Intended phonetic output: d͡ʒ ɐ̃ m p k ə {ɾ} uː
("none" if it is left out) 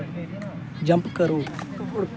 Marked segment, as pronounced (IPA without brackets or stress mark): ɾ